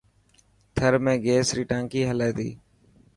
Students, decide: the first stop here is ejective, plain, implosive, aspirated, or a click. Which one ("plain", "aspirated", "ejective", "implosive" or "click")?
aspirated